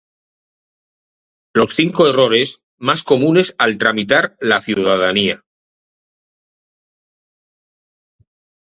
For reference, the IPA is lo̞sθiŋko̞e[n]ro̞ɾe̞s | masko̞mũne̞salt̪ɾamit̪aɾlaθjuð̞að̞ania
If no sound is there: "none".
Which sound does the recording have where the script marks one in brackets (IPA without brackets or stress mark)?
none